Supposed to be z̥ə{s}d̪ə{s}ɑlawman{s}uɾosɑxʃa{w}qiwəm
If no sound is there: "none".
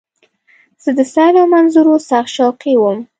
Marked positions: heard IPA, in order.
none, s, z, w

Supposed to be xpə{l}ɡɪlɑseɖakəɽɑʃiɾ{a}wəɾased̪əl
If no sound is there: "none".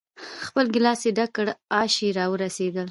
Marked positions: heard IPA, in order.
l, ɑ

